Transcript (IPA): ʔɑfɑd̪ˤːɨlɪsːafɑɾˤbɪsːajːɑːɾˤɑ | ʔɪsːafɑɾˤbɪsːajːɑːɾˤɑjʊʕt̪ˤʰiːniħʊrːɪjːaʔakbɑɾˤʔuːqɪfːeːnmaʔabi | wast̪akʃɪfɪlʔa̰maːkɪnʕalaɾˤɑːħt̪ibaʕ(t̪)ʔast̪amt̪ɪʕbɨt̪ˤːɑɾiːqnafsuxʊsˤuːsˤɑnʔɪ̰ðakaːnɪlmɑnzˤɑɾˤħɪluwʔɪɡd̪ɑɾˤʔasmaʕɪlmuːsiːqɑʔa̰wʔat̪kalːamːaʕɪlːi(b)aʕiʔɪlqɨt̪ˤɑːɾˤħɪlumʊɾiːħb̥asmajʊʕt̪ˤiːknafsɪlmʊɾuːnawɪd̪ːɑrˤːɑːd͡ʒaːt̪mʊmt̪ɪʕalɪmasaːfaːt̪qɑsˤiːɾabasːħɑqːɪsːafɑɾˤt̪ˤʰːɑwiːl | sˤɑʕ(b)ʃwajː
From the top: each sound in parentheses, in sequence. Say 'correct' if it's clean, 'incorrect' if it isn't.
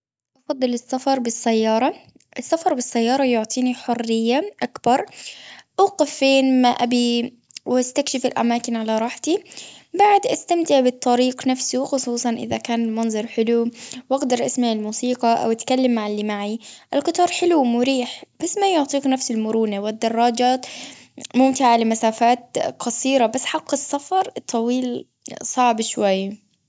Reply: incorrect, incorrect, correct

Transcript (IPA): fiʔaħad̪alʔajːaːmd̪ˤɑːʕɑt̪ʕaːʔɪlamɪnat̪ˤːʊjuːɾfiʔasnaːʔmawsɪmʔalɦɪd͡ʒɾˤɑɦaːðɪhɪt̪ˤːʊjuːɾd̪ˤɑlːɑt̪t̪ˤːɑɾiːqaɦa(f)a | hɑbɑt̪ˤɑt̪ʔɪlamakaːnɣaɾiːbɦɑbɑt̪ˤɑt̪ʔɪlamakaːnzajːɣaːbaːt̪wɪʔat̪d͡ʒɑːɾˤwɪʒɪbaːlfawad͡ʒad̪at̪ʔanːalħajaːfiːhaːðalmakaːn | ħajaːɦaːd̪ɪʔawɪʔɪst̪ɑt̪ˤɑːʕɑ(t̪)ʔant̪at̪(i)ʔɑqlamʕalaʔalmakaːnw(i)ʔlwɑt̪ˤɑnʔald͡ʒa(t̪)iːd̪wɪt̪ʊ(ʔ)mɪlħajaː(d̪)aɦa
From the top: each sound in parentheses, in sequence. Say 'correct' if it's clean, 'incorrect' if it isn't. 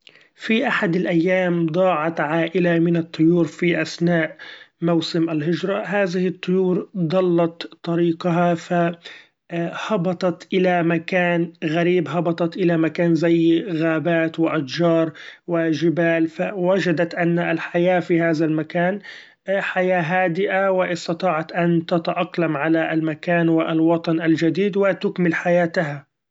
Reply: correct, correct, incorrect, incorrect, incorrect, incorrect, incorrect

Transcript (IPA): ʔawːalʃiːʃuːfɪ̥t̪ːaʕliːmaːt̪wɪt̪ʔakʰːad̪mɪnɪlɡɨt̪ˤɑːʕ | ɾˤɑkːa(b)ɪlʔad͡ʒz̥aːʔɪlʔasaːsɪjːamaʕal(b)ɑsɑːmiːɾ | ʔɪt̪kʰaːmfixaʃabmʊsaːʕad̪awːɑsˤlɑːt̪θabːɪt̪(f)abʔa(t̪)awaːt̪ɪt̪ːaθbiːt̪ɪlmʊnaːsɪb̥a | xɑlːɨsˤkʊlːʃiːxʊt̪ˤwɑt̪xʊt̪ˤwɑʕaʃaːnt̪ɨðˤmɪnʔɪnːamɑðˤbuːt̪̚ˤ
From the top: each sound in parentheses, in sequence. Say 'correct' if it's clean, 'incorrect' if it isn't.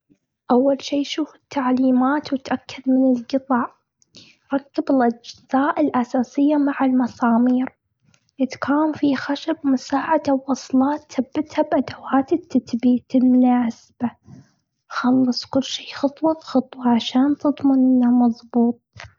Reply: correct, incorrect, incorrect, incorrect

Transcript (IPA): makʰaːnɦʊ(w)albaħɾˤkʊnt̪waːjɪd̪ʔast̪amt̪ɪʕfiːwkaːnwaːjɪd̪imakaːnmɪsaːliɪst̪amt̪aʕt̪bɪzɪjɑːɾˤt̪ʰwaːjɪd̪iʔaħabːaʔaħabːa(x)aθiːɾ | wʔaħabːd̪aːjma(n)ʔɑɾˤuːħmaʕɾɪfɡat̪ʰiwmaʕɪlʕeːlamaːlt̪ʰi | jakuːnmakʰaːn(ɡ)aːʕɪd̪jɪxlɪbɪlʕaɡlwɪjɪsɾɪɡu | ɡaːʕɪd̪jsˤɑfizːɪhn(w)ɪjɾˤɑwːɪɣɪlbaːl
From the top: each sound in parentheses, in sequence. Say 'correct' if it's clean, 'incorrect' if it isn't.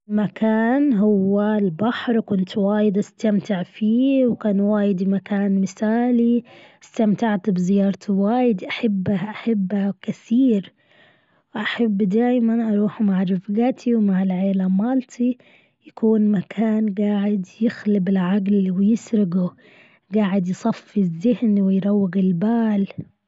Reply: incorrect, incorrect, correct, correct, correct

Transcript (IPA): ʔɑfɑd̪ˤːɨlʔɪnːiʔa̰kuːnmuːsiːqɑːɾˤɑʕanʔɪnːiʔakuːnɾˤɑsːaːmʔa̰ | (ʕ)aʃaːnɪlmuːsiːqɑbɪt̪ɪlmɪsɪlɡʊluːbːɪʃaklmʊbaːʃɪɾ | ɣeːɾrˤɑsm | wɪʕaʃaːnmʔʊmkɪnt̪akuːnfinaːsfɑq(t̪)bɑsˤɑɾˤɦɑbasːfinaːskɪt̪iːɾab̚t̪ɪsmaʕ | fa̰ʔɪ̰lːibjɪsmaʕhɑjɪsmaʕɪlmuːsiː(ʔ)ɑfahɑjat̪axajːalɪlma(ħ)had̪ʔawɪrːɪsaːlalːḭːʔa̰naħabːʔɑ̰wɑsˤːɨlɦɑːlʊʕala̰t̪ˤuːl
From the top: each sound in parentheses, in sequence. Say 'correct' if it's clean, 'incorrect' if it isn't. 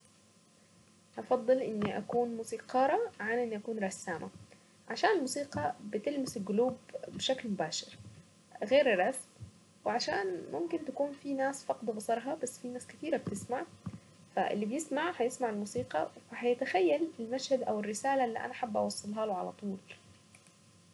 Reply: correct, incorrect, incorrect, incorrect

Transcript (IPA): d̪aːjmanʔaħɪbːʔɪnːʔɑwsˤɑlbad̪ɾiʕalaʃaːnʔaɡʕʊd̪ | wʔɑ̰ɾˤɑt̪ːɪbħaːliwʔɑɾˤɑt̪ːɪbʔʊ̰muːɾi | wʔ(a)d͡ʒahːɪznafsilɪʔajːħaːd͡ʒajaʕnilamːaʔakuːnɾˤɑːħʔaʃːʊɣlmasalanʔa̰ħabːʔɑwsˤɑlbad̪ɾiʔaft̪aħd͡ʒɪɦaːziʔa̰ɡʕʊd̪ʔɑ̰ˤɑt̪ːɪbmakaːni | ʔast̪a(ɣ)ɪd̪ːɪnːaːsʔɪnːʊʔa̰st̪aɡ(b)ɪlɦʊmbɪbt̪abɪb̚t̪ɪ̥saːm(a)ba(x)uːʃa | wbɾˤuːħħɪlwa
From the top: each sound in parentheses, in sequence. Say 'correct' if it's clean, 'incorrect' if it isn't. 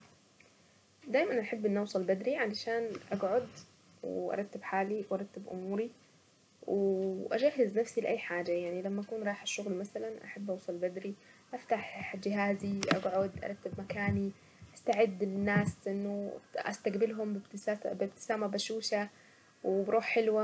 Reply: correct, incorrect, correct, correct, incorrect

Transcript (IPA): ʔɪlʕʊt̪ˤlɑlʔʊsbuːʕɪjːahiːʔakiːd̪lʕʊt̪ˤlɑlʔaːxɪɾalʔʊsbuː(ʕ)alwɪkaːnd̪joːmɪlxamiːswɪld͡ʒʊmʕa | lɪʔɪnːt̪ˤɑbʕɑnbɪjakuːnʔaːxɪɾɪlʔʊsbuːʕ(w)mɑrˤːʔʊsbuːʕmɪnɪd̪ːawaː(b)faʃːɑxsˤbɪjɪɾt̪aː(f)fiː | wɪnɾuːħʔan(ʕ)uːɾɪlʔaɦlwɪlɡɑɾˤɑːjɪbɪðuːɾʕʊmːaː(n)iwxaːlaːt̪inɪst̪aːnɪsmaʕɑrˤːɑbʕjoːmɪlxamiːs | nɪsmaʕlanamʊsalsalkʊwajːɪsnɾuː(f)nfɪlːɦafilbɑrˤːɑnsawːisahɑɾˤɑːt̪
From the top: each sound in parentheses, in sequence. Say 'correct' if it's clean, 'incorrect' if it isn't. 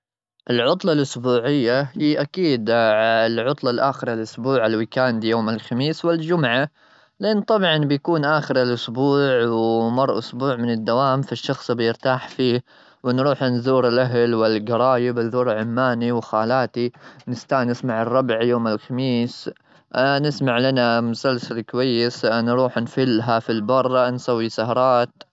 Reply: correct, correct, incorrect, incorrect, incorrect, correct, incorrect

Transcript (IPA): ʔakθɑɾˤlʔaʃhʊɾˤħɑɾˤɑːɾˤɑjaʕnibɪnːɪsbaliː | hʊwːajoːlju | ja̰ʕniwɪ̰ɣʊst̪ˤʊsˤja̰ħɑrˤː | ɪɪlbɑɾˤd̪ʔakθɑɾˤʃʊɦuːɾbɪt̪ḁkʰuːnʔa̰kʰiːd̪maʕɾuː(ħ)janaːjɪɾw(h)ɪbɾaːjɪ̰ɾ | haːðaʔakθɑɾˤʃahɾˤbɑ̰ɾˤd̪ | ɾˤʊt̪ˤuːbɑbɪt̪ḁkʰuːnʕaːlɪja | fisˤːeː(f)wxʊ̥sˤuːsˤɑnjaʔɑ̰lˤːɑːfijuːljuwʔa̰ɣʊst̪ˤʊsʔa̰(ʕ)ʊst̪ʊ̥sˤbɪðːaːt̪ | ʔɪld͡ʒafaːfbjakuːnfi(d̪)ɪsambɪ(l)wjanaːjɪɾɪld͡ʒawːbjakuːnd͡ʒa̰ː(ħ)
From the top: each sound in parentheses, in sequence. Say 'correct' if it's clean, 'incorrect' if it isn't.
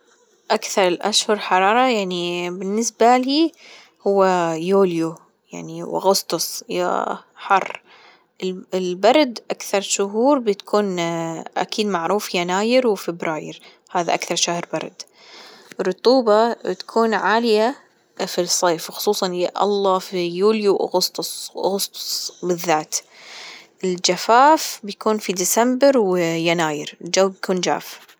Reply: incorrect, incorrect, correct, incorrect, correct, incorrect, incorrect

